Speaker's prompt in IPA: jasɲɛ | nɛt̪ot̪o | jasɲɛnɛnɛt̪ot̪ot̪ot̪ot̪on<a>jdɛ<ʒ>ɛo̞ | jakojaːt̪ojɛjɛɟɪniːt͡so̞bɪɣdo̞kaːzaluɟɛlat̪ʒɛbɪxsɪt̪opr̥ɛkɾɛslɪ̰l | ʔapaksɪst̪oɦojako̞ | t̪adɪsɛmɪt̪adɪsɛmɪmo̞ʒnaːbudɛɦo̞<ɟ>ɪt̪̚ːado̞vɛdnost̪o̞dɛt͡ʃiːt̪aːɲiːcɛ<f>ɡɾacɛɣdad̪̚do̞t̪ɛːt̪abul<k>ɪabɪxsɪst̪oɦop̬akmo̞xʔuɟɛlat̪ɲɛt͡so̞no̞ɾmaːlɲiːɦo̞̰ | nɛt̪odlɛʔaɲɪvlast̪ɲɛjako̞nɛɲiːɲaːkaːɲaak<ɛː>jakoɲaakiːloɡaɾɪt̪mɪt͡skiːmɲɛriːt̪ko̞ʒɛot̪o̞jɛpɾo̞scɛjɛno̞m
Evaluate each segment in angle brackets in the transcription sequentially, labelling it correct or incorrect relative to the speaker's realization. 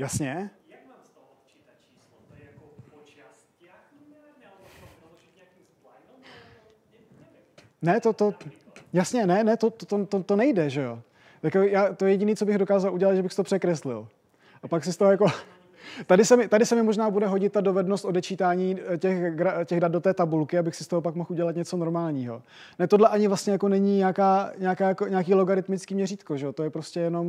incorrect: ɛ, correct, correct, incorrect: x, correct, incorrect: aː

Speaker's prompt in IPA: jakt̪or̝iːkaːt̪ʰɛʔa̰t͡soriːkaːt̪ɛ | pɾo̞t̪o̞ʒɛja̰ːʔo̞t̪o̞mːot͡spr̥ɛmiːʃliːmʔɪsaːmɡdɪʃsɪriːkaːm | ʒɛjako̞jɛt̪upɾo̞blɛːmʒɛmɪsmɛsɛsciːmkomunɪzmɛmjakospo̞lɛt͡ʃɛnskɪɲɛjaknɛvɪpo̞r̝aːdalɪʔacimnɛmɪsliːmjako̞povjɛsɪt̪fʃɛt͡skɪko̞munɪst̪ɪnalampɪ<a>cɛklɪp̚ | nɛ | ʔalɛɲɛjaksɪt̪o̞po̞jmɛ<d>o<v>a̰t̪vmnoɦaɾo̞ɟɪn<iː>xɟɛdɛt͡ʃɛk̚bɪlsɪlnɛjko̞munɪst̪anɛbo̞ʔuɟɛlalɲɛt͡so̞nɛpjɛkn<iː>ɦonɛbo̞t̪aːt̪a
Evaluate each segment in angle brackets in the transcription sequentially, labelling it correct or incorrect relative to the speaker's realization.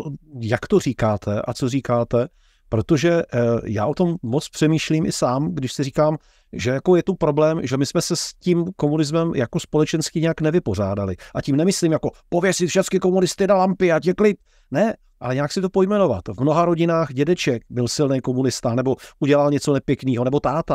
correct, incorrect: n, correct, incorrect: aː, correct

